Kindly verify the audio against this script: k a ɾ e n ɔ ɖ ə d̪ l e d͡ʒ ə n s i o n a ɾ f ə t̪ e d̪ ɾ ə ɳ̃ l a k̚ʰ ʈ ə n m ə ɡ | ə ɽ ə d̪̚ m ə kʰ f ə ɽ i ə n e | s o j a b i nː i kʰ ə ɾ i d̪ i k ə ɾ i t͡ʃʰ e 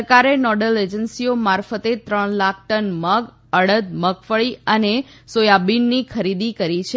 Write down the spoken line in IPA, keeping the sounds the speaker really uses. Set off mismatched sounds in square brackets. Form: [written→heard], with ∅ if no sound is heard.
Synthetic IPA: k a ɾ e n ɔ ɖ ə [d̪→∅] l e d͡ʒ ə n s i o [n→m] a ɾ f ə t̪ e [d̪→t̪] ɾ ə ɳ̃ l a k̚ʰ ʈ ə n m ə ɡ | ə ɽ ə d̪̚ m ə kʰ f ə [ɽ→ɭ] i ə n e | s o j a b i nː i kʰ ə ɾ i d̪ i k ə ɾ i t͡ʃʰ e